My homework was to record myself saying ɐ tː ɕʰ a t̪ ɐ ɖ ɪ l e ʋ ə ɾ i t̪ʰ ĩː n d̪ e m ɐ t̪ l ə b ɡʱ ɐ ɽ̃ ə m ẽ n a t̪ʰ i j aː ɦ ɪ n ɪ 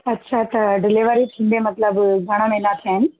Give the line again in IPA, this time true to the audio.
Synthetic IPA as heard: ɐ tː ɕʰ a t̪ ɐ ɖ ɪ l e ʋ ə ɾ i t̪ʰ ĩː n d̪ e m ɐ t̪ l ə b ɡʱ ɐ ɽ̃ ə m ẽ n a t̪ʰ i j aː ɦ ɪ n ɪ